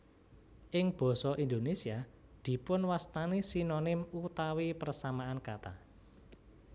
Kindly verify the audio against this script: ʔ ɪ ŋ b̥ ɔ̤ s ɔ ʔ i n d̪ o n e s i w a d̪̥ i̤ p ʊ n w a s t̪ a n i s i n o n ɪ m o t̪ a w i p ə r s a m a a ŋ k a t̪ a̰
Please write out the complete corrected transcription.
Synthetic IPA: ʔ ɪ ŋ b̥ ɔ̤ s ɔ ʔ i n d̪ o n e s i a d̪̥ i̤ p ʊ n w a s t̪ a n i s i n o n ɪ m u t̪ a w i p ə r s a m a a n k a t̪ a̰